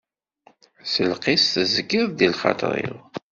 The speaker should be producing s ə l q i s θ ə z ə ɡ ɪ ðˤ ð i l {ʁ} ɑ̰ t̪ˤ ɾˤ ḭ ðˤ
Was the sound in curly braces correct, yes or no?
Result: no